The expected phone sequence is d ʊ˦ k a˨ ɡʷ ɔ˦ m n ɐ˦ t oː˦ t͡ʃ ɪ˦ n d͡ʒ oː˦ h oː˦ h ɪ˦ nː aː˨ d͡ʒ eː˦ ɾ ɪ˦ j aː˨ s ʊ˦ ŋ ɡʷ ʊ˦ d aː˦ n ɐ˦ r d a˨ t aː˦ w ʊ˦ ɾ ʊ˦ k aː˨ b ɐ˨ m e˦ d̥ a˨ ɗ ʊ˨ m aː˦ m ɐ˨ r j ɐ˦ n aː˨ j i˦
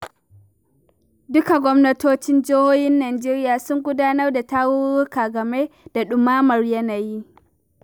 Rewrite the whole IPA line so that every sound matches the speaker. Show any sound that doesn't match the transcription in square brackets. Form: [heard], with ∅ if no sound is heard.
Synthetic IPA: d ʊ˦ k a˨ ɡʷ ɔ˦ m n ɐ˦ t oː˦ t͡ʃ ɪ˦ n d͡ʒ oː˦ h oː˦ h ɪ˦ nː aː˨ d͡ʒ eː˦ ɾ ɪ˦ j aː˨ s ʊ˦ ŋ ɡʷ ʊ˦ d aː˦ n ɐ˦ r d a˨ t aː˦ w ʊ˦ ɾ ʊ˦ k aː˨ [ɡ] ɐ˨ m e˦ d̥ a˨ ɗ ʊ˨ m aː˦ m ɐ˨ r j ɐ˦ n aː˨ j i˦